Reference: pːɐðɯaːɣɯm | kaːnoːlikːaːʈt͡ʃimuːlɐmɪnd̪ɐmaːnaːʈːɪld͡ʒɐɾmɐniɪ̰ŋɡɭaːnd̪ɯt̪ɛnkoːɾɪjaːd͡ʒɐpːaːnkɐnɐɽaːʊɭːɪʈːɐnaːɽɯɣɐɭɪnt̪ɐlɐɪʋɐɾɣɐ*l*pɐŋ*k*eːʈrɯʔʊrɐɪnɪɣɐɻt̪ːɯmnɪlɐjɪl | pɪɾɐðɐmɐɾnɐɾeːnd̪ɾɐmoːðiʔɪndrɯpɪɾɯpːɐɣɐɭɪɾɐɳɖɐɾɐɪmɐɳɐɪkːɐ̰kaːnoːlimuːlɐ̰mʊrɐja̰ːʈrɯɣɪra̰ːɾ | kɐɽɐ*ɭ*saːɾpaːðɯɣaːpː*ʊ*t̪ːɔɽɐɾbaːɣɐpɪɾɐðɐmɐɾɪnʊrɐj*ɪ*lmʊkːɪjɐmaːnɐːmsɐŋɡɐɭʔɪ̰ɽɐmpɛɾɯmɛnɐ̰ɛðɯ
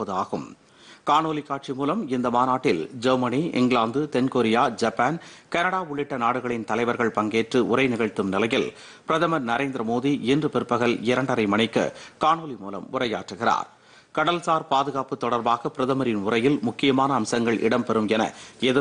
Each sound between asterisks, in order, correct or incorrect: incorrect: ɭ, incorrect: ɡ, incorrect: l, incorrect: ɯ, correct

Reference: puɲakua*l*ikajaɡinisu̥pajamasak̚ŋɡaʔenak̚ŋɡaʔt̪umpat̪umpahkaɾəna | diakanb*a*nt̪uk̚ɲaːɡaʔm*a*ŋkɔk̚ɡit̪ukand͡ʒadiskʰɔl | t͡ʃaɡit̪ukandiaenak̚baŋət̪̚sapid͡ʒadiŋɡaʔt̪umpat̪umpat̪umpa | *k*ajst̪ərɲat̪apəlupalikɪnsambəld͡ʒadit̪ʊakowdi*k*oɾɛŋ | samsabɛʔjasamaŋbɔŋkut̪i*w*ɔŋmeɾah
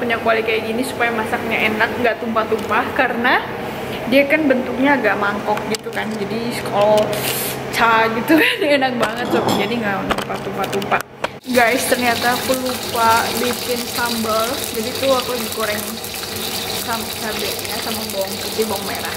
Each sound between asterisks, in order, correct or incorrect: correct, incorrect: ə, correct, incorrect: ɡ, correct, incorrect: b

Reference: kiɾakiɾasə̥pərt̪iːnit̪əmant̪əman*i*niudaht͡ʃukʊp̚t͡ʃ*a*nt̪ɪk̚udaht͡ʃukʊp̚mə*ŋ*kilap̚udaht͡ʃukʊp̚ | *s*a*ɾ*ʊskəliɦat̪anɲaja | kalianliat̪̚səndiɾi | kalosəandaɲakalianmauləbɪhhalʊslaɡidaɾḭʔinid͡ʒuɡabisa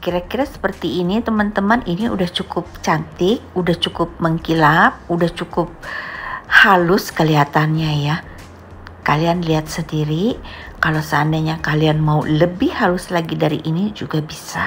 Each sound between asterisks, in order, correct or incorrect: correct, correct, correct, incorrect: h, incorrect: l

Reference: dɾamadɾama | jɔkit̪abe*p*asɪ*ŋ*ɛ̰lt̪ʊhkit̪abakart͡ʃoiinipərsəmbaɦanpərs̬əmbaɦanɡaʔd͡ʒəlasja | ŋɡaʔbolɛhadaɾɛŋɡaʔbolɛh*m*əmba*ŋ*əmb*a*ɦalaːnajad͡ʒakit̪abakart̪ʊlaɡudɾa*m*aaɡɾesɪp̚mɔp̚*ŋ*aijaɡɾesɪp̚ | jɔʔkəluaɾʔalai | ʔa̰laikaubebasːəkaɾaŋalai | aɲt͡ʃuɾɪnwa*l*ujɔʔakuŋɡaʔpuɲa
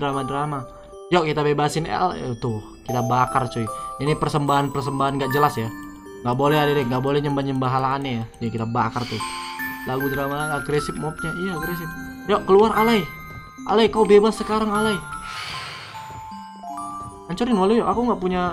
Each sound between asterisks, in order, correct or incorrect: incorrect: b, incorrect: n, incorrect: ɲ, incorrect: ɲ, correct, correct, incorrect: ɲ, correct

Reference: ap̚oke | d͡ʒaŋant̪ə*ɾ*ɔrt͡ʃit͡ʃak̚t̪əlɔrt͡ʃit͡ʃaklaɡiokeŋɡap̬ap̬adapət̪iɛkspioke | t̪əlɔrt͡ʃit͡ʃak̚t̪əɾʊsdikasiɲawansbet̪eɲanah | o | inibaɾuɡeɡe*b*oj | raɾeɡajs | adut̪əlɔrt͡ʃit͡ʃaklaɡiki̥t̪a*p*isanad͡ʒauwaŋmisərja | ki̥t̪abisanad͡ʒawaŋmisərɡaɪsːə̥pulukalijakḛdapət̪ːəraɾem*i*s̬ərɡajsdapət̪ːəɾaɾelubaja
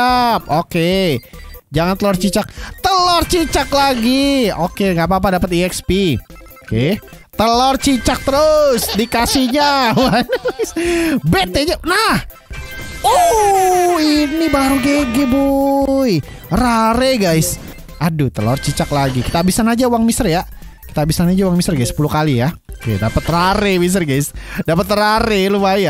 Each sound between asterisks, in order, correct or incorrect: incorrect: l, correct, incorrect: b, correct

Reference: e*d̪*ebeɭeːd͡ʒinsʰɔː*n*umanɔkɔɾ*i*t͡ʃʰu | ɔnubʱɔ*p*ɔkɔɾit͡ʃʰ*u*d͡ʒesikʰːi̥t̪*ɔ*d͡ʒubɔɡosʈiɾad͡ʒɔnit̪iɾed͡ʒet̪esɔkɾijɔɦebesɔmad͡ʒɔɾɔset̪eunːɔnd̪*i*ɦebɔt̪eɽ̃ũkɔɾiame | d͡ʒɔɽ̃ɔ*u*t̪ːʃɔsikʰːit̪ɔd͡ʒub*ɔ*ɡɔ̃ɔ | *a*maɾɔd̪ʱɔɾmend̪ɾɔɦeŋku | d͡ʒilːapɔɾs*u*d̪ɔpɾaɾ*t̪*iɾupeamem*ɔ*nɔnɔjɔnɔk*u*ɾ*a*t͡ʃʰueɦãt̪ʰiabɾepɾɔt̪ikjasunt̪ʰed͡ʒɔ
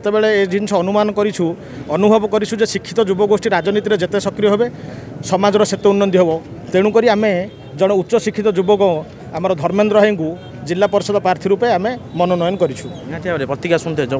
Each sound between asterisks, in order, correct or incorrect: incorrect: t̪, correct, correct, incorrect: b, correct, correct, correct, correct, correct, correct, incorrect: ɔ, incorrect: t̪ʰ, correct, incorrect: ɔ, incorrect: i

